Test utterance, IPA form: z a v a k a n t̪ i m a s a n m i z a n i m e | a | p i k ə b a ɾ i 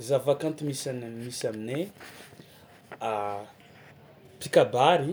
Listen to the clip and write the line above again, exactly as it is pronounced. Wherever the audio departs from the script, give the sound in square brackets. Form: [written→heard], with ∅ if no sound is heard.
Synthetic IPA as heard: z a v a k a n t̪ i m [a→i] s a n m i [z→s] a [n→m] i [m→n] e | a | p i k [ə→a] b a ɾ i